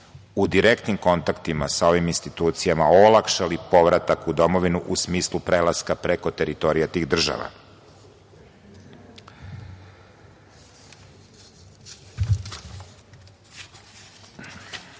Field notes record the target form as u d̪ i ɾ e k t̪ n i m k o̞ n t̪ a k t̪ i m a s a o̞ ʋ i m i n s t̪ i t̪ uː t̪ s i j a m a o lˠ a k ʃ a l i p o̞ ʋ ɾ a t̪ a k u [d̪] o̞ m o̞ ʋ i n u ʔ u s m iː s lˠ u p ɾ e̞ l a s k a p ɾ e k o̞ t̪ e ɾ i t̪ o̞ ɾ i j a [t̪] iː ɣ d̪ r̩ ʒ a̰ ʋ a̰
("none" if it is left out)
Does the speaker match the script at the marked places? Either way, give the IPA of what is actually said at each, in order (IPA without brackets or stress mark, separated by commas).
d̪, t̪